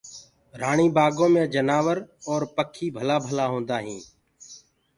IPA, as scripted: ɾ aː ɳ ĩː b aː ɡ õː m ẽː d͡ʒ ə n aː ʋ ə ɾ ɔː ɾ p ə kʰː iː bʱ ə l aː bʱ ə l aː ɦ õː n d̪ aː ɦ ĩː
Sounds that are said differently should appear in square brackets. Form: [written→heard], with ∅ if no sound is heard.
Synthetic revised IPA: ɾ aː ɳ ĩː b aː ɡ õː m ẽː d͡ʒ ə n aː ʋ ə ɾ ɔː ɾ p ə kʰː iː bʱ ə l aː bʱ ə l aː ɦ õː n d̪ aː ɦ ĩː